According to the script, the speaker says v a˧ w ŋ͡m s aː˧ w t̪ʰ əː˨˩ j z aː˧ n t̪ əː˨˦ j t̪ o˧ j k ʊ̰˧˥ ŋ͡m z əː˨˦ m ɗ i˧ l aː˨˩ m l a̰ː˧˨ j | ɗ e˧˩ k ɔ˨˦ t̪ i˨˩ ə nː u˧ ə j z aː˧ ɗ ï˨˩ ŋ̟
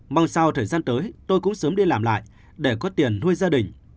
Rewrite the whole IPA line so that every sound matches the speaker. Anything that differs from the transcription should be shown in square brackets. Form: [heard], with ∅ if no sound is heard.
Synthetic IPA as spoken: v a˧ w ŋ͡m s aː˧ w t̪ʰ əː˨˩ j z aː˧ n t̪ əː˨˦ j t̪ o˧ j k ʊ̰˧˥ ŋ͡m [s] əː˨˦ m ɗ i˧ l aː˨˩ m l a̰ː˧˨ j | ɗ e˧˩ k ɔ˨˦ t̪ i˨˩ ə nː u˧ ə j z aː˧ ɗ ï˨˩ ŋ̟